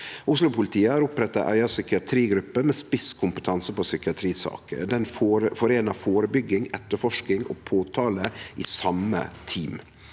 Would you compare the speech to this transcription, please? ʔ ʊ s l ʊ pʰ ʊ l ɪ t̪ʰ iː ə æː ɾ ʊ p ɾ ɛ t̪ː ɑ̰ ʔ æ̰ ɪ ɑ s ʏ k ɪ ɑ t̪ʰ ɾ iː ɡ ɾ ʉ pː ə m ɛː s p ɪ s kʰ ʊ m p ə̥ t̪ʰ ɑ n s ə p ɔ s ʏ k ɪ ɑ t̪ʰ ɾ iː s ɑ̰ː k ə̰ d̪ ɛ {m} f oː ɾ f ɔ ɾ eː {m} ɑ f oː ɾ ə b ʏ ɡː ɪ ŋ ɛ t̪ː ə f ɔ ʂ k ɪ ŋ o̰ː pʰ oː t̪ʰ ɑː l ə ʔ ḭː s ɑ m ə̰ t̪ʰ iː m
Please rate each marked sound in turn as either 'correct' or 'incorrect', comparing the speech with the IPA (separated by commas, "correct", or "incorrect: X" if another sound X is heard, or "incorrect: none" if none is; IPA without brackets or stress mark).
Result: incorrect: n, incorrect: n